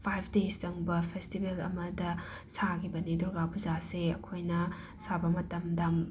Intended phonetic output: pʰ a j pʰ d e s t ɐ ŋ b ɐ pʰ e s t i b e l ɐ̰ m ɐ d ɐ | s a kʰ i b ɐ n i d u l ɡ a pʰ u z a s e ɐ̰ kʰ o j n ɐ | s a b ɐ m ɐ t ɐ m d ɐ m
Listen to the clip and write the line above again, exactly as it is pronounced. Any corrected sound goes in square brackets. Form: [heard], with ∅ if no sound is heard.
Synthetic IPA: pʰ a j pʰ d e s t ɐ ŋ b ɐ pʰ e s t i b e l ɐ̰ m ɐ d ɐ | s a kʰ i b ɐ n i d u [ɾ] ɡ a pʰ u z a s e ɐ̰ kʰ o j n ɐ | s a b ɐ m ɐ t ɐ m d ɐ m

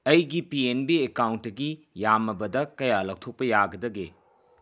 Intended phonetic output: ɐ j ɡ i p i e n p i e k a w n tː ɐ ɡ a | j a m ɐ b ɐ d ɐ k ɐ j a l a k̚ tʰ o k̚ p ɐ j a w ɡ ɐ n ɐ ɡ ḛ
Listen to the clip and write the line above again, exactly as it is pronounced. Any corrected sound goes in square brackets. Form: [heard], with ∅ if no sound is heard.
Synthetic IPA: ɐ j ɡ i p i e n [b] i e k a w n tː ɐ ɡ [i] | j a m ɐ b ɐ d ɐ k ɐ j a l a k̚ tʰ o k̚ p ɐ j a [∅] ɡ ɐ [d] ɐ ɡ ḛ

